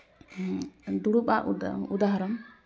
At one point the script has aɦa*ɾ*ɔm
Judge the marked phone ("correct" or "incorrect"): correct